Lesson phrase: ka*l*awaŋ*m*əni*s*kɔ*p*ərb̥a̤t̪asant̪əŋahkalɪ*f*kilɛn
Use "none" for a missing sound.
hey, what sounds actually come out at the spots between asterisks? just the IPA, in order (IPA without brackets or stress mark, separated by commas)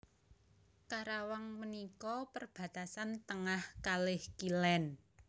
ɾ, m, none, p, h